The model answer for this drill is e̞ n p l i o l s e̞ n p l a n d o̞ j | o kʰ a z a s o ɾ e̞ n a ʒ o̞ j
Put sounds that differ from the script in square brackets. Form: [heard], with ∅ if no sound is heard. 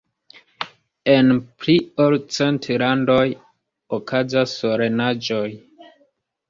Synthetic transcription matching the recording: e̞ n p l i o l [t͡s] e̞ n [t] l a n d o̞ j | o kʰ a z a s o ɾ e̞ n a [d͡ʒ] o̞ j